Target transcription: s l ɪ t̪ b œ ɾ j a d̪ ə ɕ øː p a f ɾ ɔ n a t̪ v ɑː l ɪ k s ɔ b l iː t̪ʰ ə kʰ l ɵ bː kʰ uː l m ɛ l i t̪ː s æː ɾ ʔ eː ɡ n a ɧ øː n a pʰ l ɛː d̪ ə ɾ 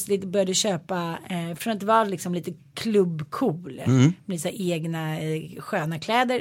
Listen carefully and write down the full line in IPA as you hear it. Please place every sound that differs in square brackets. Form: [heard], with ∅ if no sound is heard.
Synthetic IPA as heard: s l ɪ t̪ b œ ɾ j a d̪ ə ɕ øː p a f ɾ ɔ n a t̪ v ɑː l ɪ k s ɔ [m] l iː [t̪] ə kʰ l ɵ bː kʰ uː l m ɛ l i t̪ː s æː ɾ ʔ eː ɡ n a ɧ øː n a [kʰ] l ɛː d̪ ə ɾ